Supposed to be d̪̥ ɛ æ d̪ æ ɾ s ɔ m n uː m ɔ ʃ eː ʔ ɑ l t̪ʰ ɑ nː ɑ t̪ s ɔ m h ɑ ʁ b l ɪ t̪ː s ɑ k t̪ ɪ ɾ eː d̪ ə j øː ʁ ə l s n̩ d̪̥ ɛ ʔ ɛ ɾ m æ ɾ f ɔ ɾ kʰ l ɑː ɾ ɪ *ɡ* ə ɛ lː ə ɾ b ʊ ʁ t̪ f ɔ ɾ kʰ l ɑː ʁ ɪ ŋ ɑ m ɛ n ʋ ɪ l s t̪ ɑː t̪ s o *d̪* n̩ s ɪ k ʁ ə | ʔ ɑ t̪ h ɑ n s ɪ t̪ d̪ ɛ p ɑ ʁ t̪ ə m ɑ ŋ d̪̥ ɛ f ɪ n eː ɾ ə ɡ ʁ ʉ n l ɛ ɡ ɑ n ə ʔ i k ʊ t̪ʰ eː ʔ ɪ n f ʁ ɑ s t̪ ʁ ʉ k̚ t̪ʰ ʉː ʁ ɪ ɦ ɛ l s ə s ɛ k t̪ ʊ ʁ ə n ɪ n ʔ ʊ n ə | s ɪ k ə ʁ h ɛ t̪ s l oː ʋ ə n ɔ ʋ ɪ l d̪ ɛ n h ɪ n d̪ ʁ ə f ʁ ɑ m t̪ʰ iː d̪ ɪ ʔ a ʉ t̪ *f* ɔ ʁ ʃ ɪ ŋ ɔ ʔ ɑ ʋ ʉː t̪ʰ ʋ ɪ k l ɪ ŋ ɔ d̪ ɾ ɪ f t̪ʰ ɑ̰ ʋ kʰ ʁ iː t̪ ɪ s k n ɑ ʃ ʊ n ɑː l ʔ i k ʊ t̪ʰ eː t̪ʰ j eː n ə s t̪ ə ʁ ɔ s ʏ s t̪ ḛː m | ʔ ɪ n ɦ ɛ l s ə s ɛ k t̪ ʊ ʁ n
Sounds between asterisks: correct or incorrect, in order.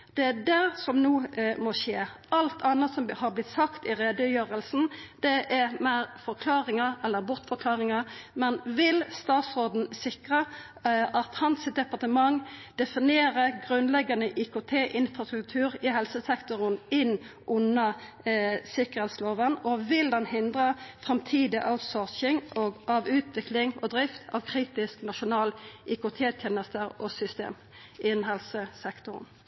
incorrect: ŋ, correct, incorrect: s

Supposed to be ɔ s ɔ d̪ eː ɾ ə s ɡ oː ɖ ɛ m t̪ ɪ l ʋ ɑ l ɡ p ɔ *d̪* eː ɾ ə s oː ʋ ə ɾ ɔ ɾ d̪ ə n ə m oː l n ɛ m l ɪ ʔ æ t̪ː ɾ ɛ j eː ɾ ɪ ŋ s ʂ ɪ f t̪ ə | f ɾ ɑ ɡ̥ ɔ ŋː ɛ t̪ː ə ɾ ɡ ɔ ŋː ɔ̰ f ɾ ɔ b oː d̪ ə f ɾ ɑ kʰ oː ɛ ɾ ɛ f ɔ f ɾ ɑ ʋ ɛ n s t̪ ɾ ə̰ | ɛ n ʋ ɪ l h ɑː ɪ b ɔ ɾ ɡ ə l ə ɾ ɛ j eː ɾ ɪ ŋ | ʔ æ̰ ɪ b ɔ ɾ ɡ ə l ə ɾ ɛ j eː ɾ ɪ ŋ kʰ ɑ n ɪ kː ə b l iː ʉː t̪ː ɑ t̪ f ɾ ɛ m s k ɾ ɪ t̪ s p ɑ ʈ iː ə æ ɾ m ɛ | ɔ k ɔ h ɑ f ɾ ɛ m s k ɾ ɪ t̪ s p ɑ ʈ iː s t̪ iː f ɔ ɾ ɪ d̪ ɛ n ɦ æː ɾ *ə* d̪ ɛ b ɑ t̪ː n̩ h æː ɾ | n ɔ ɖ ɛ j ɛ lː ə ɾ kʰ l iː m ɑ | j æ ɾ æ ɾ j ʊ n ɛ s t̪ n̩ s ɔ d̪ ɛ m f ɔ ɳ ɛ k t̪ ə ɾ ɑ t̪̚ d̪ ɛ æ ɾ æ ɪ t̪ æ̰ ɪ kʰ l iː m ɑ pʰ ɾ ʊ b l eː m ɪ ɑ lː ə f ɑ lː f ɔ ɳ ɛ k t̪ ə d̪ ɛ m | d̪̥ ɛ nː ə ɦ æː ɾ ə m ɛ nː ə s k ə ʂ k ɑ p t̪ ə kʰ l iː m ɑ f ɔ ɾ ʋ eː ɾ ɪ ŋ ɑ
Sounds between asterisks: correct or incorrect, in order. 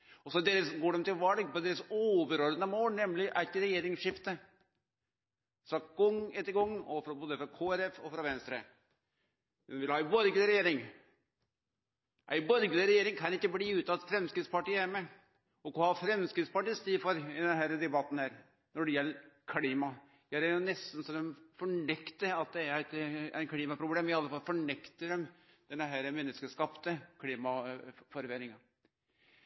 correct, correct

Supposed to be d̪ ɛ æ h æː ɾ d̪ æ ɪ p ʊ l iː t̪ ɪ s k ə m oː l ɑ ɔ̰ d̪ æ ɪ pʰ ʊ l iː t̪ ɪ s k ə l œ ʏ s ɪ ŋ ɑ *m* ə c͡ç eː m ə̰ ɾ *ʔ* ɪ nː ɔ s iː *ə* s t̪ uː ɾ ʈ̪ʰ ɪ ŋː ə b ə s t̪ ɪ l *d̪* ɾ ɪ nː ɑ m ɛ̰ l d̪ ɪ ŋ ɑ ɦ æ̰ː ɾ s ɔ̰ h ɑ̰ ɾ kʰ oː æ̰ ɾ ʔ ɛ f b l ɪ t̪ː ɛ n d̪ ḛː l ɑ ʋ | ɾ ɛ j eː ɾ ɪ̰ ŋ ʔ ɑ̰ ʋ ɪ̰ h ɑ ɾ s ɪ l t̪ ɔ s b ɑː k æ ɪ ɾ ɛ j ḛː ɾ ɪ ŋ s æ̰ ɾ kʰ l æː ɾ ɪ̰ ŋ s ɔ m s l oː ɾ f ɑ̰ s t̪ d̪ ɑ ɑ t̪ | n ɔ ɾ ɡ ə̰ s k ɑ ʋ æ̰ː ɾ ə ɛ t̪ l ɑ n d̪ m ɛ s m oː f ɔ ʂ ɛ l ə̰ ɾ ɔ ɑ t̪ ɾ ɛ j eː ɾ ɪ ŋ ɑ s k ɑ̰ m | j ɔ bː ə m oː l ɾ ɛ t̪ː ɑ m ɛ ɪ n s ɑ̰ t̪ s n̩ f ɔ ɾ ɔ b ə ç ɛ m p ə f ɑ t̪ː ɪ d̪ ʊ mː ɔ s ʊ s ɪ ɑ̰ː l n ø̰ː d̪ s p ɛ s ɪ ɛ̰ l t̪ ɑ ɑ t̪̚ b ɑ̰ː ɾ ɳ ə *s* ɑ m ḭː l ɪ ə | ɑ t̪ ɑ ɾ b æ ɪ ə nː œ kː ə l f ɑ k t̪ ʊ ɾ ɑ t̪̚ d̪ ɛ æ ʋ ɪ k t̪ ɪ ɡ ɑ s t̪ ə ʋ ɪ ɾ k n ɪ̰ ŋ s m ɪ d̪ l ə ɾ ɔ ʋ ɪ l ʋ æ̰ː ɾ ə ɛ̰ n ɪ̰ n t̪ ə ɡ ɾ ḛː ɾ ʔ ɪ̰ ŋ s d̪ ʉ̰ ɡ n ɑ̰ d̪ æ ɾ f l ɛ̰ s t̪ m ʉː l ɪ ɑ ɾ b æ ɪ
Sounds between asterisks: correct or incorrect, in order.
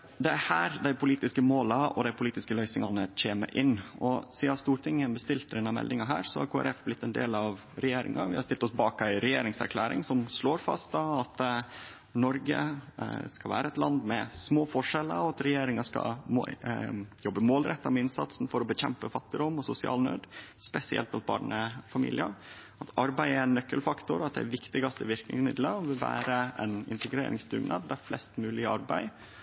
incorrect: n, correct, incorrect: ɑ, incorrect: t̪, incorrect: f

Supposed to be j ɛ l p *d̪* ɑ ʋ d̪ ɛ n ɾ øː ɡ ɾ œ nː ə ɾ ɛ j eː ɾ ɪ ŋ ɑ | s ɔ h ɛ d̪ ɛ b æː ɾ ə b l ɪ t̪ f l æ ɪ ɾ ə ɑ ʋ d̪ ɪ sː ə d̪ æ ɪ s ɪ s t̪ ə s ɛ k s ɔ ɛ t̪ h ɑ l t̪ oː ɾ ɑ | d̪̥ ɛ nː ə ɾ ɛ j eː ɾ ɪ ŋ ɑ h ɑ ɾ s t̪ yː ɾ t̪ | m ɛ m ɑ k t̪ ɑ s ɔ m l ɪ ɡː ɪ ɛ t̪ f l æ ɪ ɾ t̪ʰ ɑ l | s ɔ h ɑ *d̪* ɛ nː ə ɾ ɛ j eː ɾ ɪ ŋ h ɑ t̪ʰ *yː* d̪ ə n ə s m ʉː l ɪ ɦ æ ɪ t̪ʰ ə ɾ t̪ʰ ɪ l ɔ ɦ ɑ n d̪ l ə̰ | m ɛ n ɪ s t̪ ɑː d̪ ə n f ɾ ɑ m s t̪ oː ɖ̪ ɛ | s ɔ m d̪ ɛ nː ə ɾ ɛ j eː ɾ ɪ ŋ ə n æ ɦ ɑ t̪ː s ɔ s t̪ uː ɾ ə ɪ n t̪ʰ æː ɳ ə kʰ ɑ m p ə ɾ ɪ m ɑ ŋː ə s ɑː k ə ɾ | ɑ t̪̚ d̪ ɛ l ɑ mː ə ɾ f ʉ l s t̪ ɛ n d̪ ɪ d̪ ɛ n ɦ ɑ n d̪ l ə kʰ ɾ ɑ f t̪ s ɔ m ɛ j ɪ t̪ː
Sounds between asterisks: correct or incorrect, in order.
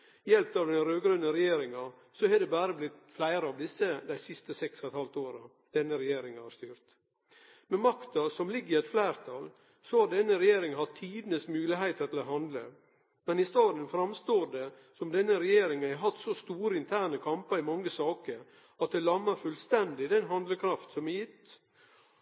incorrect: t̪, correct, incorrect: iː

